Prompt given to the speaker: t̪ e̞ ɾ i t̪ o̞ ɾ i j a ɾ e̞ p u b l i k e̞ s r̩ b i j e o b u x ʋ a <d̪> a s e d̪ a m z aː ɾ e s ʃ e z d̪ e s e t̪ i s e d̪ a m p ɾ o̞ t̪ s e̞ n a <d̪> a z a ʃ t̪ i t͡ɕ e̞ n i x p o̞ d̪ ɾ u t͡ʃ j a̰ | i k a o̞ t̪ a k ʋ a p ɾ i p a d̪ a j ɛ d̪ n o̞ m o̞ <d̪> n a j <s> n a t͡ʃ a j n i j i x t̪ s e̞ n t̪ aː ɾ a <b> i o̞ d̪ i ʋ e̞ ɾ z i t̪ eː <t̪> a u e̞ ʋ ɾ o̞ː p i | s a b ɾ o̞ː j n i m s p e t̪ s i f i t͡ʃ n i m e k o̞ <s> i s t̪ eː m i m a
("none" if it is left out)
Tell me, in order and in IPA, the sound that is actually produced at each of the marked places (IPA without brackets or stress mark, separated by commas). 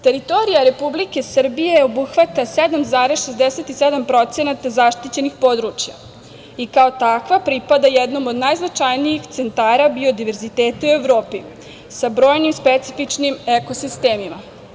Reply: t̪, t̪, d̪, z, b, t̪, s